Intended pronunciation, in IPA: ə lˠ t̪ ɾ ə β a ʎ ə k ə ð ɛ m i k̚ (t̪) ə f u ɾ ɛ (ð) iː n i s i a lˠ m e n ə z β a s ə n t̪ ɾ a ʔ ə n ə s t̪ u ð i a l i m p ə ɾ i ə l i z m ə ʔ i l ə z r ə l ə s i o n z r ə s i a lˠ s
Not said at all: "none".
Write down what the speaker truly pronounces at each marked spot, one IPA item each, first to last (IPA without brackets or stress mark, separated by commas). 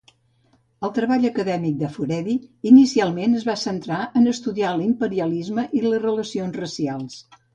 d̪, ð